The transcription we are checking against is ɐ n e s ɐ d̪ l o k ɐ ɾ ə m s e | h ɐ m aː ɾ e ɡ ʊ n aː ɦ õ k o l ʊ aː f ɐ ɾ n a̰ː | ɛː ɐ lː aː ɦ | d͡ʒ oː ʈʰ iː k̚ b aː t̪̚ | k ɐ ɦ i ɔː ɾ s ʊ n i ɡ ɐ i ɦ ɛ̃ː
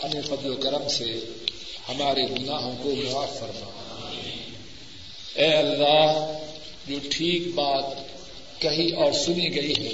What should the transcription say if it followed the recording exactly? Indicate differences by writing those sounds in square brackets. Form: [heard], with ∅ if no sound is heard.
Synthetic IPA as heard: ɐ n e [f] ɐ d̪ l o k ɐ ɾ ə m s e | h ɐ m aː ɾ e ɡ ʊ n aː ɦ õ k o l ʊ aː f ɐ ɾ [m] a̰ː | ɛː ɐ lː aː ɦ | d͡ʒ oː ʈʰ iː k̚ b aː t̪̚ | k ɐ ɦ i ɔː ɾ s ʊ n i ɡ ɐ i ɦ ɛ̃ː